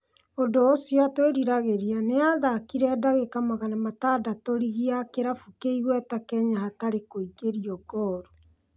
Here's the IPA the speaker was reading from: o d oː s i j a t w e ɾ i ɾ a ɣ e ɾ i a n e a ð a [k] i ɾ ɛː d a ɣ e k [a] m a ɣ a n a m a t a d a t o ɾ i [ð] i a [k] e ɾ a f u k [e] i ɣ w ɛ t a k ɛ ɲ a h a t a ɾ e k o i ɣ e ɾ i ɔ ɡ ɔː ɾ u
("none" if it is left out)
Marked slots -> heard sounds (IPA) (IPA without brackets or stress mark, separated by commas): k, a, ɣ, k, e